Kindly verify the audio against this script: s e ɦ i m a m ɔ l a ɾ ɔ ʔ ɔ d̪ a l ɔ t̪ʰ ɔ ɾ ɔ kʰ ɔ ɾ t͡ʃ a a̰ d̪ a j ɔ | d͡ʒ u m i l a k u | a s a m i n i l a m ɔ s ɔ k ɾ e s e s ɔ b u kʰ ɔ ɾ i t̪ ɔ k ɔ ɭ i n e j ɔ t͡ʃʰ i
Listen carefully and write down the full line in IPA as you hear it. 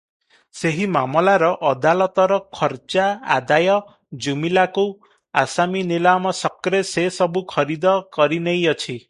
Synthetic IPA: s e ɦ i m a m ɔ l a ɾ ɔ ʔ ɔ d̪ a l ɔ t̪ ɔ ɾ ɔ kʰ ɔ ɾ t͡ʃ a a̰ d̪ a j ɔ | d͡ʒ u m i l a k u | a s a m i n i l a m ɔ s ɔ k ɾ e s e s ɔ b u kʰ ɔ ɾ i d̪ ɔ k ɔ ɾ i n e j ɔ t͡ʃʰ i